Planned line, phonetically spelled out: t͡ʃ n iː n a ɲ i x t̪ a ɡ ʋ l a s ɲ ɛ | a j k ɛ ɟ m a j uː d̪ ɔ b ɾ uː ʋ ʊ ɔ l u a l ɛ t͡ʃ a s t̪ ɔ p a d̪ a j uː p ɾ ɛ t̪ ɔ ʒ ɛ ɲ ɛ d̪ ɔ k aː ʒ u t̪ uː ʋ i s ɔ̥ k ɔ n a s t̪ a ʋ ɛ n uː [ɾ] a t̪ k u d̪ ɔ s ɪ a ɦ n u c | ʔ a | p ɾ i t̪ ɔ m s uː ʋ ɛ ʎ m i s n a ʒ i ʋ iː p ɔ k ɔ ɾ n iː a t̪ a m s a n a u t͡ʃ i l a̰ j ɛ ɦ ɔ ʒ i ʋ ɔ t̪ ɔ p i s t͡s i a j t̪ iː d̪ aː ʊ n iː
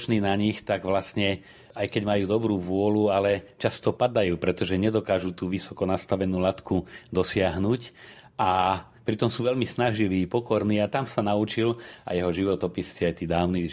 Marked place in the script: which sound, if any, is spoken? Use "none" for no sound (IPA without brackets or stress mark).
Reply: l